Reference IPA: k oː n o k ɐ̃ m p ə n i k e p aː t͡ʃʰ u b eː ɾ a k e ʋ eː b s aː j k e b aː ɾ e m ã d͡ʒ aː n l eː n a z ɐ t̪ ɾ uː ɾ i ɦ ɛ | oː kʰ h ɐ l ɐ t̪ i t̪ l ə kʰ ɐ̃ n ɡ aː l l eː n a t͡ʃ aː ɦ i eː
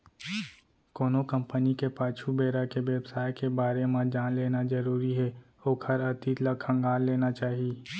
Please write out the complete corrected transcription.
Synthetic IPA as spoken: k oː n o k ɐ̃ m p ə n i k e p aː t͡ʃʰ u b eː ɾ a k e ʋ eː b s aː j k e b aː ɾ e m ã d͡ʒ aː n l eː n a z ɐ ɾ uː ɾ i ɦ ɛ | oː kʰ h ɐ ɾ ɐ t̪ i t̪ l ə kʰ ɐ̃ ŋ ɡ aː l l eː n a t͡ʃ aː ɦ i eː